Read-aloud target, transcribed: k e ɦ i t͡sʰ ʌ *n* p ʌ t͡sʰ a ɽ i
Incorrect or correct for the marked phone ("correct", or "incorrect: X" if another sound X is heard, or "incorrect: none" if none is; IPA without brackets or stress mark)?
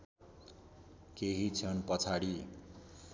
correct